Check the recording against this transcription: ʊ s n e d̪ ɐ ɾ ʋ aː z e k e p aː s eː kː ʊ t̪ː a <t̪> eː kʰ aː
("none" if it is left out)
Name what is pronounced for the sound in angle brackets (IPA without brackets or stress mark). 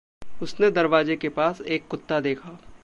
d̪